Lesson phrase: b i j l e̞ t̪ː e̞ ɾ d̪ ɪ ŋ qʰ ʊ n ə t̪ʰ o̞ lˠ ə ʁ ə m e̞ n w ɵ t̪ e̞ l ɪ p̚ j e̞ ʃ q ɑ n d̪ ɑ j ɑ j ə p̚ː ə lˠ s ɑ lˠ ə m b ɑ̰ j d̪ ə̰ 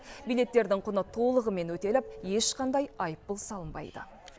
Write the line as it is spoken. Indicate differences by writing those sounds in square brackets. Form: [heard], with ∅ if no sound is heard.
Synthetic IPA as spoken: b i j l e̞ t̪ː e̞ ɾ d̪ ɪ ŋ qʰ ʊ n ə t̪ʰ o̞ lˠ ə ʁ ə m e̞ n w ɵ t̪ e̞ l ɪ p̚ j e̞ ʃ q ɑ n d̪ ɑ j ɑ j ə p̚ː ə lˠ s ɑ lˠ ə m b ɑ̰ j d̪ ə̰